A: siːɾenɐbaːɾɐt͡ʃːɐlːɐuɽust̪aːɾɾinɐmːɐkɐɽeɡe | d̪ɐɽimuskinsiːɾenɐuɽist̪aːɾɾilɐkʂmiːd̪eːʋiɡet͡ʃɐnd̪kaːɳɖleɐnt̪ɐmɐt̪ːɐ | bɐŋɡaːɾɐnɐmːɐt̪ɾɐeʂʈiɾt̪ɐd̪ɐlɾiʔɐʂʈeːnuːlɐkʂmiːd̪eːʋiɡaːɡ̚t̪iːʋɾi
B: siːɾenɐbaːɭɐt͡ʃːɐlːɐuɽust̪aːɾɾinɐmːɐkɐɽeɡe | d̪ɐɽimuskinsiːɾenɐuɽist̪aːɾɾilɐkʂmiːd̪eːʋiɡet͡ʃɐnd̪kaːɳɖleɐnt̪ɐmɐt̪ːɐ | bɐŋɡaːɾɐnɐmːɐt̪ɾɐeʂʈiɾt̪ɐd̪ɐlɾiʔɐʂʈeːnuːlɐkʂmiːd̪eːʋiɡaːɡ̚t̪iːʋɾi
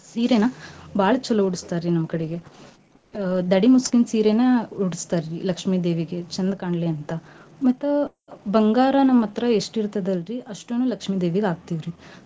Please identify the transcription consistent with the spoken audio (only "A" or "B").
B